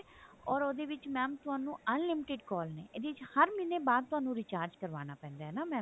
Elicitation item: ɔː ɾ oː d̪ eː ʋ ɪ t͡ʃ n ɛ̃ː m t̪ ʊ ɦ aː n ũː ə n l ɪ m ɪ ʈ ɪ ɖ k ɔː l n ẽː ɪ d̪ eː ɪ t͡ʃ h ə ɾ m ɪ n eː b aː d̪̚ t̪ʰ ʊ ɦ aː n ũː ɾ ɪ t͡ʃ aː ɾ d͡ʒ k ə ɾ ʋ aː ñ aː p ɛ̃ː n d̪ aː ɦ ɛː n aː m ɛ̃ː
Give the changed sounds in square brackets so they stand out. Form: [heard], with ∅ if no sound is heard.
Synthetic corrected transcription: ɔː ɾ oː d̪ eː ʋ ɪ t͡ʃ [m] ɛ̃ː m t̪ ʊ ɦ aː n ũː ə n l ɪ m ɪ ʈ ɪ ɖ k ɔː l n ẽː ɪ d̪ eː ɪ t͡ʃ h ə ɾ m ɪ n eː b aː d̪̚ [t̪] ʊ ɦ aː n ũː ɾ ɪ t͡ʃ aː ɾ d͡ʒ k ə ɾ ʋ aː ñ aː p ɛ̃ː n d̪ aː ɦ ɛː n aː m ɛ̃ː